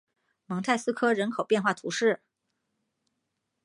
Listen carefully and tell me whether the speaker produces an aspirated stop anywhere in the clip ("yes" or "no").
yes